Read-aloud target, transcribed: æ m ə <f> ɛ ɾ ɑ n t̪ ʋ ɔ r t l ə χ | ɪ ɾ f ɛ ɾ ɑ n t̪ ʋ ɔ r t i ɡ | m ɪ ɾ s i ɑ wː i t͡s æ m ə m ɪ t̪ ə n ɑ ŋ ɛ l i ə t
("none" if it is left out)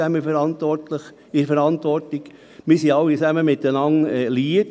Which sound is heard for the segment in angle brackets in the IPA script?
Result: f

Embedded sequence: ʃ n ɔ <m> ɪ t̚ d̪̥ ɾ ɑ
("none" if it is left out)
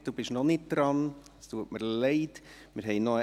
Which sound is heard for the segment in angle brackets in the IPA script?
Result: n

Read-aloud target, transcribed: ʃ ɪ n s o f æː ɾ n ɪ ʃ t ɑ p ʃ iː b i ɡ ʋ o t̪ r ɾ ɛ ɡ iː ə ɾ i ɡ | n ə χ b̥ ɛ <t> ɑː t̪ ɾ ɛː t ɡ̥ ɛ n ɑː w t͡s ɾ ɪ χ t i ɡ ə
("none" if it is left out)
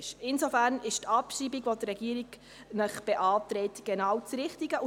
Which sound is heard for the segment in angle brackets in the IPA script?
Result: ʔ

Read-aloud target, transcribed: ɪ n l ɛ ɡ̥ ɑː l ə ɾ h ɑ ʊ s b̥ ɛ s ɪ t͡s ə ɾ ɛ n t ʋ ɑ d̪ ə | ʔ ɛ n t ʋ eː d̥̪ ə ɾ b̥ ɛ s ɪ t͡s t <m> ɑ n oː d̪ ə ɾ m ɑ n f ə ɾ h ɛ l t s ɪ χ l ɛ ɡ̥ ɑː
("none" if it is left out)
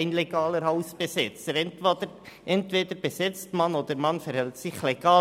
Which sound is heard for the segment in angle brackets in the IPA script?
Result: m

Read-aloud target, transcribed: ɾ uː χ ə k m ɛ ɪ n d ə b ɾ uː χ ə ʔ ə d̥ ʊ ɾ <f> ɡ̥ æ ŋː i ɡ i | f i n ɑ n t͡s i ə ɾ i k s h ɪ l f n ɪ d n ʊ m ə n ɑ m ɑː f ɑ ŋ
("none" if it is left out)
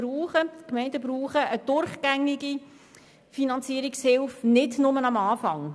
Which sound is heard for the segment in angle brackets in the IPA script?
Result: χ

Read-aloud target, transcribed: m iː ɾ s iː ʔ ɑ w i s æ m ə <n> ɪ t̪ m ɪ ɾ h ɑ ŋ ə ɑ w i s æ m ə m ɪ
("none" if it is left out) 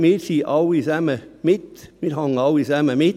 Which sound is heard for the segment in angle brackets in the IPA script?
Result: m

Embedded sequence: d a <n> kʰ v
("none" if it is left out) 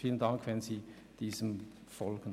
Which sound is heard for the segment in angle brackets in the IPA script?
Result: ŋ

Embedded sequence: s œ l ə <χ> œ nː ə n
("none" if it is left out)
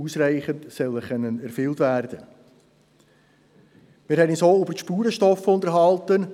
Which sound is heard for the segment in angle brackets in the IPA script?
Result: χ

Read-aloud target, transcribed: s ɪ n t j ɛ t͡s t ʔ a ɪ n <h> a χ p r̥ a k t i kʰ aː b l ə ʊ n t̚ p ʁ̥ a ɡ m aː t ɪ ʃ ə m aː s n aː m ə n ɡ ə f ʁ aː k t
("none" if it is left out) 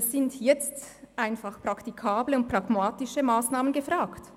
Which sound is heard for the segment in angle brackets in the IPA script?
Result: f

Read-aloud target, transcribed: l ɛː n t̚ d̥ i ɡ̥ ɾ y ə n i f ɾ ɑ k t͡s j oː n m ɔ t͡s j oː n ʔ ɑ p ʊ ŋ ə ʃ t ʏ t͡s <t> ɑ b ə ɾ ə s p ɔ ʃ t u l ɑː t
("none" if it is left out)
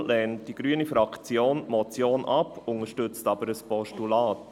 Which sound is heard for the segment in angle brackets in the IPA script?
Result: t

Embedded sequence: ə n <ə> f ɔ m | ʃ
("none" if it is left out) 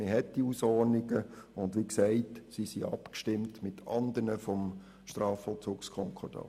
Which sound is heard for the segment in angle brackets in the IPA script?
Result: ə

